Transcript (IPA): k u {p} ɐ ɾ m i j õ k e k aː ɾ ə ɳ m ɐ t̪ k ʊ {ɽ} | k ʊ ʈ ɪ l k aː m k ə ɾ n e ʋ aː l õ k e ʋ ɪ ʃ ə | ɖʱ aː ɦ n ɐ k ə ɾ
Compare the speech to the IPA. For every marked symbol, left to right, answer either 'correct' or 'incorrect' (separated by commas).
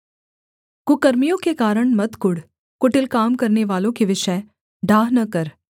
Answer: incorrect, correct